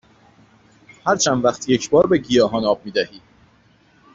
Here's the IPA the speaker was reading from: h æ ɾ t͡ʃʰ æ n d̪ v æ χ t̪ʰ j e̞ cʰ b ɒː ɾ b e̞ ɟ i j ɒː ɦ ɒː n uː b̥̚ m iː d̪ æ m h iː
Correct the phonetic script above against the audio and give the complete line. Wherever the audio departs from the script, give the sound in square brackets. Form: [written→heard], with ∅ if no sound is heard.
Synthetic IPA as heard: h æ ɾ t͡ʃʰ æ n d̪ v æ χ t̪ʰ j e̞ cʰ b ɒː ɾ b e̞ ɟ i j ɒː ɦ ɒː n [uː→ɒː] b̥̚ m iː d̪ æ [m→∅] h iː